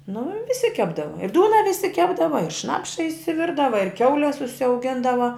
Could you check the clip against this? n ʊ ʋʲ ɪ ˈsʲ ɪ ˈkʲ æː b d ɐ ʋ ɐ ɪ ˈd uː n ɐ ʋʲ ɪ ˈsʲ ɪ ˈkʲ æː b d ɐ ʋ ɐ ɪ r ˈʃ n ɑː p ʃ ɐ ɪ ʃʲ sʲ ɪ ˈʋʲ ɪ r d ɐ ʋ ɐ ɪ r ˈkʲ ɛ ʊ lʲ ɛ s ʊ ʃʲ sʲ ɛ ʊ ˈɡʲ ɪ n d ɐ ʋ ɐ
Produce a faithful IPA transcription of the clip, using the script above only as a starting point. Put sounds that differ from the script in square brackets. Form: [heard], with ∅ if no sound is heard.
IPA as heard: n ʊ ʋʲ ɪ ˈsʲ ɪ ˈkʲ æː b d ɐ ʋ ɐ ɪ ˈd uː n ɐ ʋʲ ɪ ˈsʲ ɪ ˈkʲ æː b d ɐ ʋ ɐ ɪ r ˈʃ n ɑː p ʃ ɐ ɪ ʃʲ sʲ ɪ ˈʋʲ ɪ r d ɐ ʋ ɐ ɪ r ˈkʲ ɛ ʊ lʲ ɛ s ʊ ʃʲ sʲ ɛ ʊ ˈɡʲ ɪ n d ɐ ʋ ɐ